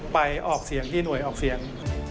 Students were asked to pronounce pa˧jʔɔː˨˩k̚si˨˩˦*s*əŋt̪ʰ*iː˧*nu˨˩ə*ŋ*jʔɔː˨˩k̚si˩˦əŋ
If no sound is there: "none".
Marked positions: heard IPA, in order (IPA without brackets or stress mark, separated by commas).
none, iː˥˩, none